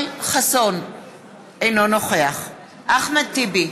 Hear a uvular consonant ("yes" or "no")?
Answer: yes